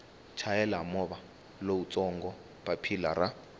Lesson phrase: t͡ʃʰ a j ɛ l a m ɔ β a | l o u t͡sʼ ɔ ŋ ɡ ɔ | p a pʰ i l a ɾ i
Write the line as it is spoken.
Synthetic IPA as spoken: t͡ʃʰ a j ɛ l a m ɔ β a | l o u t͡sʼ ɔ ŋ ɡ ɔ | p a pʰ i l a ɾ a